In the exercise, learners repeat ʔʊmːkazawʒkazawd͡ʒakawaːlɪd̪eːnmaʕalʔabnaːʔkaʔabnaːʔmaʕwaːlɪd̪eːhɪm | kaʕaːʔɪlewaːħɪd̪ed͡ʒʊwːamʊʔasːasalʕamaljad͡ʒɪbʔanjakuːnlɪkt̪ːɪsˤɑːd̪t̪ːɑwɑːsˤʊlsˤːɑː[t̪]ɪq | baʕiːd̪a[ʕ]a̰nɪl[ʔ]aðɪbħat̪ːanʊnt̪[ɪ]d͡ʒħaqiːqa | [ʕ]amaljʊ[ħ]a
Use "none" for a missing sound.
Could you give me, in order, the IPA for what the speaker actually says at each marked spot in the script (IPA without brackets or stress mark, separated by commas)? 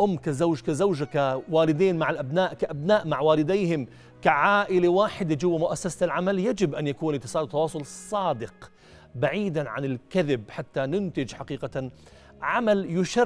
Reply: d̪, ʕ, k, ɪ, ʕ, ʃ